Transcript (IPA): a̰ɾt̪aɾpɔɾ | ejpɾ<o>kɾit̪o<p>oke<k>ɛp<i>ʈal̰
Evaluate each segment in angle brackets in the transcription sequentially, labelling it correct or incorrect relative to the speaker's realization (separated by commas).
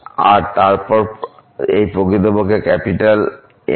correct, incorrect, correct, correct